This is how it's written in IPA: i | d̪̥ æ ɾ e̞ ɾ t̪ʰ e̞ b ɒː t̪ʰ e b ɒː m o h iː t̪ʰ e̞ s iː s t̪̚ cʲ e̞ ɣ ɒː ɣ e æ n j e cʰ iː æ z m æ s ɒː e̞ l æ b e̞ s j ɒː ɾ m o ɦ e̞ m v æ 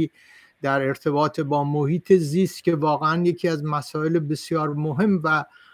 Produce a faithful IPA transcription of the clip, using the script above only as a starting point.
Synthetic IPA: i | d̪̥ æ ɾ e̞ ɾ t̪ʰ e̞ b ɒː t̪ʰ e b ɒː m o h iː t̪ʰ e̞ z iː s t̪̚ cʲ e̞ v ɒː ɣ e æ n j e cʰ iː æ z m æ s ɒː e̞ l e b e̞ s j ɒː ɾ m o ɦ e̞ m v æ